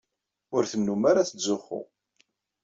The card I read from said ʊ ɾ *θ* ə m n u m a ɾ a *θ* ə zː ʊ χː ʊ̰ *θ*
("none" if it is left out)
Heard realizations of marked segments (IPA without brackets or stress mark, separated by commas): θ, θ, none